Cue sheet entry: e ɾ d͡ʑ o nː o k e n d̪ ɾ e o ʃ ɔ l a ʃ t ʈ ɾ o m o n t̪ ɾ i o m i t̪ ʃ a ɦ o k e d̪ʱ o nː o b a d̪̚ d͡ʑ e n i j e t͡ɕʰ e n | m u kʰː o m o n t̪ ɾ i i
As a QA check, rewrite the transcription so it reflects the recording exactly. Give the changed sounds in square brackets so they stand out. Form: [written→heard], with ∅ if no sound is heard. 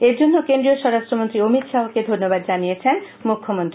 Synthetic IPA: e ɾ d͡ʑ o nː o k e n d̪ ɾ [e→i] o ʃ ɔ [l→ɾ] a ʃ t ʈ ɾ o m o n t̪ ɾ i o m i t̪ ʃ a ɦ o k e d̪ʱ o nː o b a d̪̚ d͡ʑ [e→a] n i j e t͡ɕʰ e n | m u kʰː o m o n t̪ ɾ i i